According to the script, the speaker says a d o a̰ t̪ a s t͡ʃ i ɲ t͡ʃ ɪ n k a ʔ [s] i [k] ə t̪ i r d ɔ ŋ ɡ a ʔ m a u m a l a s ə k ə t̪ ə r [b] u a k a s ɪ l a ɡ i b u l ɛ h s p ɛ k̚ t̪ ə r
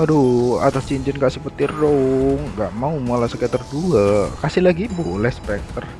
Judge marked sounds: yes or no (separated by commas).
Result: yes, no, no